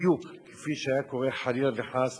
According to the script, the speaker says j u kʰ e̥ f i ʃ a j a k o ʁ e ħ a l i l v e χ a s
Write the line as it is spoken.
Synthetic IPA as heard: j u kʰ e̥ f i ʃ a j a k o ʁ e ħ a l i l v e ħ a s